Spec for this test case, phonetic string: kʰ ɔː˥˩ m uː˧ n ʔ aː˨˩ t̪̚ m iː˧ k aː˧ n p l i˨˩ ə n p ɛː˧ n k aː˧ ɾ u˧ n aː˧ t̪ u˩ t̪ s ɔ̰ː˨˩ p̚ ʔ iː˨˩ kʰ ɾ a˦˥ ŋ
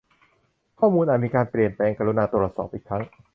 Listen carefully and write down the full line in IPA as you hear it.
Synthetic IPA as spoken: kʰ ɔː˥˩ m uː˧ n ʔ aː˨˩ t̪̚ m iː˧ k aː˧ n p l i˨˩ ə n p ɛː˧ ŋ k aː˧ ɾ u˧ n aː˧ t̪ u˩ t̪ s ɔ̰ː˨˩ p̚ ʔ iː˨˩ kʰ ɾ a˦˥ ŋ